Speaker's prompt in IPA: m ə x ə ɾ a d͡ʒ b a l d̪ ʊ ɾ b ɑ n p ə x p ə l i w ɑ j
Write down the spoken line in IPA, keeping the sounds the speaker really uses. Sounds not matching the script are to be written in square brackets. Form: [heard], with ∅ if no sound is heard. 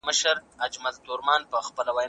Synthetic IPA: m ə [ʃ] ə ɾ a d͡ʒ [m] a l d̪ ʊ ɾ [m] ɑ n p ə x p ə l [a] w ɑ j